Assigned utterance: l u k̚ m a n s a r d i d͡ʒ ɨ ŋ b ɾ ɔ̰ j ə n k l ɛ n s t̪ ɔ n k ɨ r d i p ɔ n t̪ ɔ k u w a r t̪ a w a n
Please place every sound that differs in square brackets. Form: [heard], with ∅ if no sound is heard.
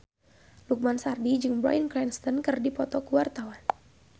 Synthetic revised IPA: l u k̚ m a n s a r d i d͡ʒ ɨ ŋ b ɾ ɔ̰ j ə n k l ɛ n s t̪ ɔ n k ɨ r d i p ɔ [∅] t̪ ɔ k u w a r t̪ a w a n